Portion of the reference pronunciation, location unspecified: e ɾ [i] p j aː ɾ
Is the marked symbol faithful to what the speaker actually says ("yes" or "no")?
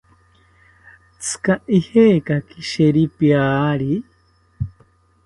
yes